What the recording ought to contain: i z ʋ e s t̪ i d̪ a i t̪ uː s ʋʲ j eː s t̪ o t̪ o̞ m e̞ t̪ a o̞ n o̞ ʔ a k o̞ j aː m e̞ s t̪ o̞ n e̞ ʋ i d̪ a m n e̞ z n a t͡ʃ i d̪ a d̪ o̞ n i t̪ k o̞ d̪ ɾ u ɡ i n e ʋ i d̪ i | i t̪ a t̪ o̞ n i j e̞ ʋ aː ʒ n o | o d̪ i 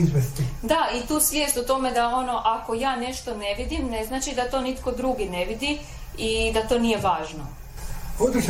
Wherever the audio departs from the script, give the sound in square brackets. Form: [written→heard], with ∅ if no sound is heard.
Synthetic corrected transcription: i z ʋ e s t̪ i d̪ a i t̪ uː s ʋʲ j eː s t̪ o t̪ o̞ m e̞ [t̪→d̪] a o̞ n o̞ ʔ a k o̞ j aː [m→n] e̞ [s→ʃ] t̪ o̞ n e̞ ʋ i d̪ [a→i] m n e̞ z n a t͡ʃ i d̪ a [d̪→t̪] o̞ n i t̪ k o̞ d̪ ɾ u ɡ i n e ʋ i d̪ i | i [t̪→d̪] a t̪ o̞ n i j e̞ ʋ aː ʒ n o | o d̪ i